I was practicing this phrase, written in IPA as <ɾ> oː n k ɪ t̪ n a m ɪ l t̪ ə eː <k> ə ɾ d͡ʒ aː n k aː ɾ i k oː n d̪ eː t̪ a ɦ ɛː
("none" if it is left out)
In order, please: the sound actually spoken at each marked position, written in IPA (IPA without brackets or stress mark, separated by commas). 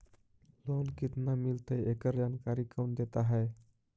l, k